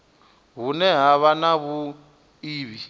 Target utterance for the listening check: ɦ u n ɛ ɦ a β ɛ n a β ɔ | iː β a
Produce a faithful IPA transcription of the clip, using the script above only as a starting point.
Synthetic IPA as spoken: ɦ u n ɛ ɦ a β a n a β u | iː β i